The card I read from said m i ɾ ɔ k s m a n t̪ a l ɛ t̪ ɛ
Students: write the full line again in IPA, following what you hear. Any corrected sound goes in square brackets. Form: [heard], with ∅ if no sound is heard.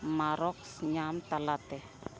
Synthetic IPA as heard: m [a] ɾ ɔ k s [ɲ] a [m] t̪ a l [a] t̪ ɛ